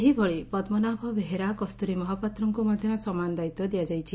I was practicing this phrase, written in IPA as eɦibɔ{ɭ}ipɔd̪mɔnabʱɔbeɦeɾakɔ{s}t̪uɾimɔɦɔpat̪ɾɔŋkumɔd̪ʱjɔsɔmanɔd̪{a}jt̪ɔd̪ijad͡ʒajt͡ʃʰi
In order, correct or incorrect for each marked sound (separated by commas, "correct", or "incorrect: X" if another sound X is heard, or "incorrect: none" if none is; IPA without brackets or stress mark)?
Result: correct, correct, correct